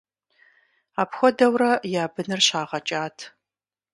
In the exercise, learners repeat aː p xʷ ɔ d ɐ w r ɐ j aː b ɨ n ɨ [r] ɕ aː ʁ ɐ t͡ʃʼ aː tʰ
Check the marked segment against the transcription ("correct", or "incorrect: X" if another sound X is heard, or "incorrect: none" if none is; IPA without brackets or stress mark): correct